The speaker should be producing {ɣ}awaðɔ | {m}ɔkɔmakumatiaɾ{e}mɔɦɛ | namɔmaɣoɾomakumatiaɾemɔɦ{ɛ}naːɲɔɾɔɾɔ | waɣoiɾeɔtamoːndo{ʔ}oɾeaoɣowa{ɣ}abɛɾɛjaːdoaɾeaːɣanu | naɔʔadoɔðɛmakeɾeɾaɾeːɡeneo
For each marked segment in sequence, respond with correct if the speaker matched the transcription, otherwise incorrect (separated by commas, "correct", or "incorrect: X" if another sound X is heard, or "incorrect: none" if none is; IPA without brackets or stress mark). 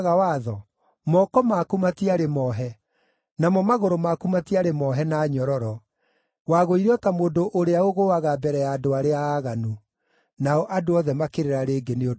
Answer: correct, correct, correct, correct, correct, correct